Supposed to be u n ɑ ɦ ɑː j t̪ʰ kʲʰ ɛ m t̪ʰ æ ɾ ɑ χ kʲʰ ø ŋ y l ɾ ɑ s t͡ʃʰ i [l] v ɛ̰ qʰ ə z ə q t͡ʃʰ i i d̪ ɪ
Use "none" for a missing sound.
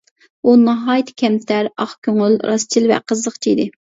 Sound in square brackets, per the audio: l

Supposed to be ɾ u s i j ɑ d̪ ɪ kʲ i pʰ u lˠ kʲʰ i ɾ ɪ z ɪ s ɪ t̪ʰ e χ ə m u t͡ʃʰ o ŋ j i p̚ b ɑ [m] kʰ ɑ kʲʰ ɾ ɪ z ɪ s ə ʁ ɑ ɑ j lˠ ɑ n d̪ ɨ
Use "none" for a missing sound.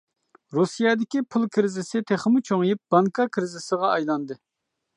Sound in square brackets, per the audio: ŋ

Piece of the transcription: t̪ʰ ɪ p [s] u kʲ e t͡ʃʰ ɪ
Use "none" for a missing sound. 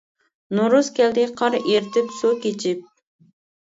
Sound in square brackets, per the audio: s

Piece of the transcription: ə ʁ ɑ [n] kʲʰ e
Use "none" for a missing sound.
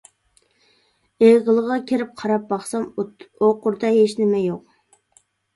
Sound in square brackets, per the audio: none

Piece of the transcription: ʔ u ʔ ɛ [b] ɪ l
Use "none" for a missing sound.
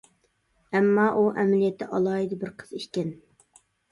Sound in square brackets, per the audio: m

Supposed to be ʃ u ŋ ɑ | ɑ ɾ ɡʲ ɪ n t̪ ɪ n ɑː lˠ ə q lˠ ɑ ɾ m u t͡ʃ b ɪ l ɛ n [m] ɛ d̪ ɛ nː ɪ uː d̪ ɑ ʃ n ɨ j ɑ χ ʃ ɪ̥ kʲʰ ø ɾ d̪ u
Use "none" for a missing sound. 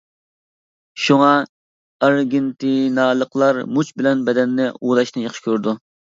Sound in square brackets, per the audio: b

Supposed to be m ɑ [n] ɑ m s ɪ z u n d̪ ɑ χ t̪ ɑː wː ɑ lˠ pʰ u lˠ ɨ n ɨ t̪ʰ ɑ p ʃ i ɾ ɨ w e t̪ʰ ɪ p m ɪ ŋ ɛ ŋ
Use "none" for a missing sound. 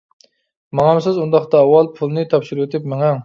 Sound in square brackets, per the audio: ŋ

